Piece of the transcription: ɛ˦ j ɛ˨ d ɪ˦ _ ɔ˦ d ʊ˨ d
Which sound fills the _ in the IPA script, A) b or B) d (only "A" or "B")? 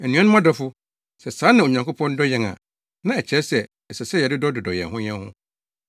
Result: B